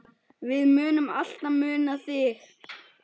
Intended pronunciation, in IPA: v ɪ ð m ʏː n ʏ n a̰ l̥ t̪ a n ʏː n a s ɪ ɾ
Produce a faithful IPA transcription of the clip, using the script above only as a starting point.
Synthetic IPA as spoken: v ɪ ð m ʏː n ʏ m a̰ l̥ t̪ a m ʏː n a θ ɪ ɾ